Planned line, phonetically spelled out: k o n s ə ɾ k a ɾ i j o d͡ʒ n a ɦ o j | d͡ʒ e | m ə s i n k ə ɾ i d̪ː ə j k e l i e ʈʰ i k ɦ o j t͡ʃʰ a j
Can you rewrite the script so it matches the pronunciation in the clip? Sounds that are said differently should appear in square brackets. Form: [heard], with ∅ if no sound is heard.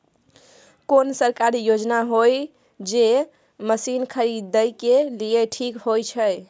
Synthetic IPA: k o n s ə ɾ k a ɾ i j o d͡ʒ n a ɦ o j | d͡ʒ e | m ə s i n [kʰ] ə ɾ i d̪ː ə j k e l i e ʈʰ i k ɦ o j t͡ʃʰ [ə] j

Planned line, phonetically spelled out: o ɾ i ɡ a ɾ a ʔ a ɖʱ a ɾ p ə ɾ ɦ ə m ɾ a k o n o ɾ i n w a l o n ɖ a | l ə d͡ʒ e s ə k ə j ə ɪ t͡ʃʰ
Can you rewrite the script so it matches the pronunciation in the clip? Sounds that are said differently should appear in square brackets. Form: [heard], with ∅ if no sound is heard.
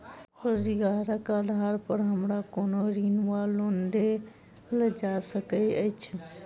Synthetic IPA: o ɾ i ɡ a ɾ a [k] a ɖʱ a ɾ p ə ɾ ɦ ə m ɾ a k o n o ɾ i n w a l o n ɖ [e] | l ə d͡ʒ [a] s ə k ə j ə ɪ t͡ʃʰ

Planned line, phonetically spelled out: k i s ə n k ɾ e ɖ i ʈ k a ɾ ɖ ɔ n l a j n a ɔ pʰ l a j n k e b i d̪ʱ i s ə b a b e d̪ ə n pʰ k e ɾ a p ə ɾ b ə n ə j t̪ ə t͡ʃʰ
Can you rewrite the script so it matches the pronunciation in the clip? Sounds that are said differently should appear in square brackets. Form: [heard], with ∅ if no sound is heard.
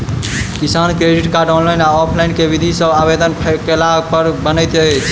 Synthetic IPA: k i s [a] n k ɾ e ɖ i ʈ k a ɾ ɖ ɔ n l a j n a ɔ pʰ l a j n k e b i d̪ʱ i s ə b a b e d̪ ə n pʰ k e [l] a p ə ɾ b ə n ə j t̪ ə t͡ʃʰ

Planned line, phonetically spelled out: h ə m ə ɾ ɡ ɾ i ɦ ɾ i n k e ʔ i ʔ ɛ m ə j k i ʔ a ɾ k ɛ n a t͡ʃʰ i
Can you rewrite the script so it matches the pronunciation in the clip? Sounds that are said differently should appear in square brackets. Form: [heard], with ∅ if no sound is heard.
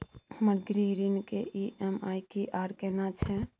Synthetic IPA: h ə m ə ɾ ɡ ɾ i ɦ ɾ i n k e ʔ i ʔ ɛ m [a] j k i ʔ a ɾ k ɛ n a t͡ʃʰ [ɛ]

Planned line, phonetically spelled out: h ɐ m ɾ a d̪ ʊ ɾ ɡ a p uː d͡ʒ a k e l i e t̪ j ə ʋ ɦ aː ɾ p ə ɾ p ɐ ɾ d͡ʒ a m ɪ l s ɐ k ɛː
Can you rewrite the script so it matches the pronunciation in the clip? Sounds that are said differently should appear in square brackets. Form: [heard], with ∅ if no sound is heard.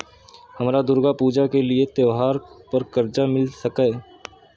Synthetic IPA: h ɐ m ɾ a d̪ ʊ ɾ ɡ a p uː d͡ʒ a k e l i e t̪ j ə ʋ ɦ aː ɾ p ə ɾ [k] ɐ ɾ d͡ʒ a m ɪ l s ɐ k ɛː

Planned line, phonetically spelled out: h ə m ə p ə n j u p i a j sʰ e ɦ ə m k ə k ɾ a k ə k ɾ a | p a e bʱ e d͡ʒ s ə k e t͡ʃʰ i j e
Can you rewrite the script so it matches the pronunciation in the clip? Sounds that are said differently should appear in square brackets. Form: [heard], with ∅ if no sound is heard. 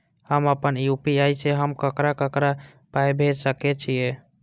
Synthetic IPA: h ə m ə p ə n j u p i a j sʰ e ɦ ə m k ə k ɾ a k ə k ɾ a | p a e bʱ e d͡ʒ s ə k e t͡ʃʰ i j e

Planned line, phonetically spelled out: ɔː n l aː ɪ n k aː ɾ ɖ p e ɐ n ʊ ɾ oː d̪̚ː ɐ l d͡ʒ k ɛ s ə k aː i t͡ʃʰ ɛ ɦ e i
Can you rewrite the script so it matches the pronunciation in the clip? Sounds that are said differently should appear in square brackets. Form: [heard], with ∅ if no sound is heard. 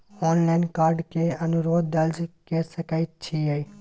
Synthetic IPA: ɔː n l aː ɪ n k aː ɾ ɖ [k] e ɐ n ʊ ɾ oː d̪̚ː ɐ l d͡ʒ k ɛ s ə k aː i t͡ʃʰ [i] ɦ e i

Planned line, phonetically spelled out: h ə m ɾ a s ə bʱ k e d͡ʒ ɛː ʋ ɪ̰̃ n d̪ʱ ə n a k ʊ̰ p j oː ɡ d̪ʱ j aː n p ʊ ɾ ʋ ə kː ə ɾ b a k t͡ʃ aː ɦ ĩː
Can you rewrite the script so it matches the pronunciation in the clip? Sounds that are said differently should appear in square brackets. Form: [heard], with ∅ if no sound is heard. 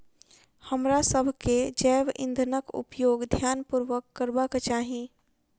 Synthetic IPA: h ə m ɾ a s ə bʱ k e d͡ʒ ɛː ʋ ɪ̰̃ n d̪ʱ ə n [ə] k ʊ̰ p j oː ɡ d̪ʱ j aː n p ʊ ɾ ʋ ə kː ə ɾ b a k t͡ʃ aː ɦ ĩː

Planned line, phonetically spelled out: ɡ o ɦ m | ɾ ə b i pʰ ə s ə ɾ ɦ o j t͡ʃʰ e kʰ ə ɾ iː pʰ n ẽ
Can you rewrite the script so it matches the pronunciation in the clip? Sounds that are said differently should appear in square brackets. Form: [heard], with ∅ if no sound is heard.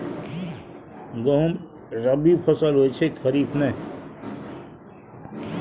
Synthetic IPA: ɡ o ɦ m | ɾ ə b i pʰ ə s ə [l] ɦ o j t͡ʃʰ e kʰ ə ɾ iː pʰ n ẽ

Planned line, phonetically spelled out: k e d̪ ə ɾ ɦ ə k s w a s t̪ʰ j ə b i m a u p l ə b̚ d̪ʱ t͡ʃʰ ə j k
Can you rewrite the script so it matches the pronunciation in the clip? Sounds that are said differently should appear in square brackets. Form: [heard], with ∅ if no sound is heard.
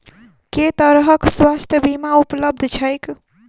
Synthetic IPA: k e [t̪] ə ɾ ɦ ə k s w a s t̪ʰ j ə b i m a u p l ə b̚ d̪ʱ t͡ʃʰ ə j k

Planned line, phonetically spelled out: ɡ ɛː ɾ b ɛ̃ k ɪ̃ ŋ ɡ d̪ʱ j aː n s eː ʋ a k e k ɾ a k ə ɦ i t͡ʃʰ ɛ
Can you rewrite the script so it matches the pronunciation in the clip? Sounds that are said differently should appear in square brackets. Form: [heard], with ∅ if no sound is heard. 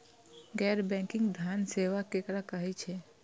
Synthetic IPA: ɡ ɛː ɾ b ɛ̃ k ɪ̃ ŋ ɡ d̪ʱ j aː n s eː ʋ a k e k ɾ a k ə ɦ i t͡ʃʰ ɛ

